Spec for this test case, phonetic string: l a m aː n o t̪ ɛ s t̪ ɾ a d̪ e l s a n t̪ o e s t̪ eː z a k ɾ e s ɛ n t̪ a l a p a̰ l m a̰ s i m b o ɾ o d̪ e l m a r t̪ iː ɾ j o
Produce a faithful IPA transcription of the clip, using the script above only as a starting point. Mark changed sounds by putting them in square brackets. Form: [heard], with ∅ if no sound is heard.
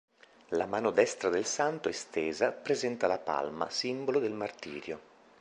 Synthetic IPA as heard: l a m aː n o [d̪] ɛ s t̪ ɾ a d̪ e l s a n t̪ o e s t̪ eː z a [p] ɾ e [z] ɛ n t̪ a l a p a̰ l m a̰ s i m b o [l] o d̪ e l m a r t̪ iː ɾ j o

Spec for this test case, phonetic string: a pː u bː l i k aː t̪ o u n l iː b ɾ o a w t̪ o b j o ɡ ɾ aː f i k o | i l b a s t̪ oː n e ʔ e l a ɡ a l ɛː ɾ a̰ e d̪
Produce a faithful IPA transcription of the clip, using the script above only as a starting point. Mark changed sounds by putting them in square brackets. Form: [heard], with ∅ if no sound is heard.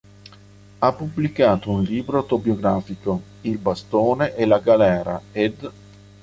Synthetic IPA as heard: a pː u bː l i k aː t̪ o u n l iː b ɾ o a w t̪ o b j o ɡ ɾ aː f i k o | i l b a s t̪ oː n e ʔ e l a ɡ a l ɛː ɾ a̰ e d̪

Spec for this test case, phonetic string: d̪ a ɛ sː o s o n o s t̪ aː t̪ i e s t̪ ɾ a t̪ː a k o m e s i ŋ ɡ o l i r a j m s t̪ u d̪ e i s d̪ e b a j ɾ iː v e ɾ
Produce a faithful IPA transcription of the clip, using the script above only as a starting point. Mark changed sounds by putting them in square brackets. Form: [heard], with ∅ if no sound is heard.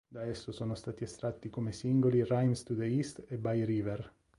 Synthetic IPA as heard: d̪ a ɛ sː o s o n o s t̪ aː t̪ i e s t̪ ɾ a t̪ː [i] k o m e s i ŋ ɡ o l i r a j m s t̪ u d̪ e i s [t̪] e b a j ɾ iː v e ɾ

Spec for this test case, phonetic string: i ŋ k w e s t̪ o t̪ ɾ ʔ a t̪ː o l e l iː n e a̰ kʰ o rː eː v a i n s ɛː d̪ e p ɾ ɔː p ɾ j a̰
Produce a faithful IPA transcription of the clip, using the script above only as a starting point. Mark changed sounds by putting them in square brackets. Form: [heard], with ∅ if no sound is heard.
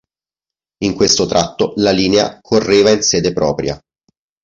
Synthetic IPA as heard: i ŋ k w e s t̪ o t̪ ɾ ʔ a t̪ː o l [a] l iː n e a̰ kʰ o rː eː v a i n s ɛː d̪ e p ɾ ɔː p ɾ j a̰

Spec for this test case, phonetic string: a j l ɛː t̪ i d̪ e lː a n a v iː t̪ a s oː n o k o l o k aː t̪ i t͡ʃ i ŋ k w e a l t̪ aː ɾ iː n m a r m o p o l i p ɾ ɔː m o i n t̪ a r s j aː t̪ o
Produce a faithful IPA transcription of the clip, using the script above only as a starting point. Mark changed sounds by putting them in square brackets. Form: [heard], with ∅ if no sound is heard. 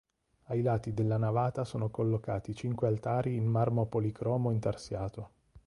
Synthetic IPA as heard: a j l [aː] t̪ i d̪ e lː a n a v [aː] t̪ a s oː n o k o [lː] o k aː t̪ i t͡ʃ i ŋ k w e a l t̪ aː ɾ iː n m a r m o p o l i [k] ɾ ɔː m o i n t̪ a r s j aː t̪ o

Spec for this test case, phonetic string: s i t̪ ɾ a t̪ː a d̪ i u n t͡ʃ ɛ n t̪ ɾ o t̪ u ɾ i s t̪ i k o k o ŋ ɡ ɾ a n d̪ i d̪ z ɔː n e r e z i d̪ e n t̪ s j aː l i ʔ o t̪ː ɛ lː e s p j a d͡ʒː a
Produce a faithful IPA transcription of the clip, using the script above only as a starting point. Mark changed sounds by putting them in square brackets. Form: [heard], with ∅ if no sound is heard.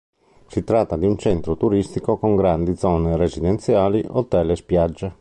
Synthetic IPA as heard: s i t̪ ɾ a t̪ː a d̪ i u n t͡ʃ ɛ n t̪ ɾ o t̪ u ɾ i s t̪ i k o k o ŋ ɡ ɾ a n d̪ i d̪ z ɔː n e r e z i d̪ e n t̪ s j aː l i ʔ o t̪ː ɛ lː e s p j a d͡ʒː [e]

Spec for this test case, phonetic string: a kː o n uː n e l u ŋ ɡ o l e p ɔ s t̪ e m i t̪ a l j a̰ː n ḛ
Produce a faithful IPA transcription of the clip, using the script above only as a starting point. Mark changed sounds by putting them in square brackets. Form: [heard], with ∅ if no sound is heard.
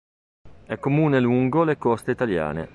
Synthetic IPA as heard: [ɛ] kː o [m] uː n e l u ŋ ɡ o l e [k] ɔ s t̪ e [∅] i t̪ a l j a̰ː n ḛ

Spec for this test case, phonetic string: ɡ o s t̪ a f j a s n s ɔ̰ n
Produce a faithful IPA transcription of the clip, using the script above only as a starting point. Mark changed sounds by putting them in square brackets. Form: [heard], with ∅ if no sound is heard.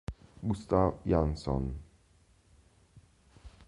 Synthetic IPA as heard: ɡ [u] s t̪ a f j a [∅] n s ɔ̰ n

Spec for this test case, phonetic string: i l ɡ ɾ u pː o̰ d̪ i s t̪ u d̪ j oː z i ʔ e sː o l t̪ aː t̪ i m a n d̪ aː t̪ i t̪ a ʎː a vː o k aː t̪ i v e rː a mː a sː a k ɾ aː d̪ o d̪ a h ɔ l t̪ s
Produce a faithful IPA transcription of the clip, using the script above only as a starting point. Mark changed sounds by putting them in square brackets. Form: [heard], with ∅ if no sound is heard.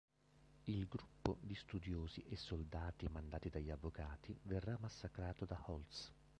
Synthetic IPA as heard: i l ɡ ɾ u pː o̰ d̪ i s t̪ u d̪ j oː z i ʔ e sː o l [d̪] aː t̪ i m a n d̪ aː t̪ i [d̪] a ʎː a vː o k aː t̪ i v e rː a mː a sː a k ɾ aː [t̪] o d̪ a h ɔ l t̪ s

